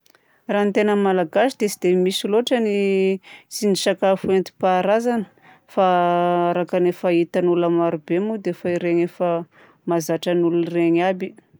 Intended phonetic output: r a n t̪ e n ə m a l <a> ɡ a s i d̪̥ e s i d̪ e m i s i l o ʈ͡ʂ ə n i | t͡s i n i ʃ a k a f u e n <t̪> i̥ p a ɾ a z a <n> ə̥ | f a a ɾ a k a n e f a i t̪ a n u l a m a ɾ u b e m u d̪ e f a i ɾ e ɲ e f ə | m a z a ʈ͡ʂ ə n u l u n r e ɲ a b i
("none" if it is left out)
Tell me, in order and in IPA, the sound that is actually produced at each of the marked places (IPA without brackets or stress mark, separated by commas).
a, t̪, n